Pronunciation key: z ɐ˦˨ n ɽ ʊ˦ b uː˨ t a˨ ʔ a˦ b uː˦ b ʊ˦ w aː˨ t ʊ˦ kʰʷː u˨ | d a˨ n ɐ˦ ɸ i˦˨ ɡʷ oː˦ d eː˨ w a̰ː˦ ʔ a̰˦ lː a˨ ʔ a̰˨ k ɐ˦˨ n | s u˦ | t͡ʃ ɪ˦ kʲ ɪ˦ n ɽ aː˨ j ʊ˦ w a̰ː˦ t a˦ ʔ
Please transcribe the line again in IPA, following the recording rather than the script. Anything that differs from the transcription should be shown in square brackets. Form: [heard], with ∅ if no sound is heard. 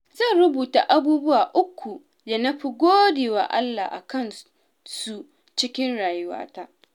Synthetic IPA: z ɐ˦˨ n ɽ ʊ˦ b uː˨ t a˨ ʔ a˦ b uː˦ b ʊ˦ w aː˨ [ʔ] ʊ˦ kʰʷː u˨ | d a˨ n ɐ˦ ɸ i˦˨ ɡʷ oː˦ d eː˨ w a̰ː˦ ʔ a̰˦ lː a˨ ʔ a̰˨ k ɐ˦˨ n | s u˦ | t͡ʃ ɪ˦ kʲ ɪ˦ n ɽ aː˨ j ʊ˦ w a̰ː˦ t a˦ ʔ